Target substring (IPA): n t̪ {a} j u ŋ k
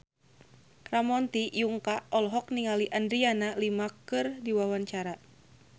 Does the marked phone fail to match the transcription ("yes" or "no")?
yes